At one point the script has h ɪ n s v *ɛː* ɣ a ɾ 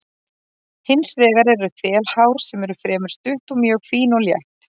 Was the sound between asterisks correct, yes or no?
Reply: yes